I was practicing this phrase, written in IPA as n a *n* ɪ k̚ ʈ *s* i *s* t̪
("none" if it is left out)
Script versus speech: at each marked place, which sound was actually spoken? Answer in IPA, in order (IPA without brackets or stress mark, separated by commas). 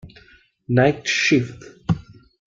none, ʃ, f